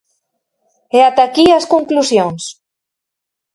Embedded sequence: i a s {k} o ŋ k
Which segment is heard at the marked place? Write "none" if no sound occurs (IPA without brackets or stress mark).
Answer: k